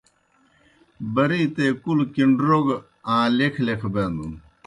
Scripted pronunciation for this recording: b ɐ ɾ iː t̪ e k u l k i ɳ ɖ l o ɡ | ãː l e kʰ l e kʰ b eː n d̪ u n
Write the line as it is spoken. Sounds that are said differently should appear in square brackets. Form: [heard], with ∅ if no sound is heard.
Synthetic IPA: b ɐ ɾ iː t̪ e k u l k i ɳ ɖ [ɾ] o ɡ | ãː l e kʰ l e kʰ b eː n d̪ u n